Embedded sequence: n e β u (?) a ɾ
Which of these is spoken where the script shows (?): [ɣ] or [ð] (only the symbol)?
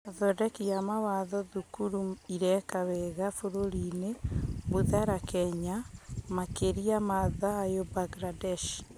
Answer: ð